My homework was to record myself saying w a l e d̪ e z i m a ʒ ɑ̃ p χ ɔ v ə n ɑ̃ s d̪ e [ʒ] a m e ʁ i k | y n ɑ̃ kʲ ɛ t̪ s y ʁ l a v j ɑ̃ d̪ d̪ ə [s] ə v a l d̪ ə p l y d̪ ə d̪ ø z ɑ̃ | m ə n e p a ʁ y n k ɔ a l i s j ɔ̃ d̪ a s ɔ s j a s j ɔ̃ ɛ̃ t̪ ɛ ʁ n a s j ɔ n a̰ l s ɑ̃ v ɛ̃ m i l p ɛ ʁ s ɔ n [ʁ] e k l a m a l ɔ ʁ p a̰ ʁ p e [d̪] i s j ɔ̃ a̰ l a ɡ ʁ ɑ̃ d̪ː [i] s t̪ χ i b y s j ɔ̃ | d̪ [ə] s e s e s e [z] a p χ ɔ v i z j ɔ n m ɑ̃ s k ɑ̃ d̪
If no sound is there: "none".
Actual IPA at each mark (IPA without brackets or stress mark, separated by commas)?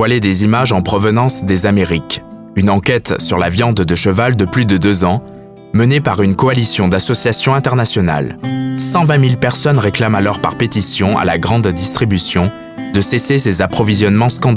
z, ʃ, ʁ, t̪, i, ə, z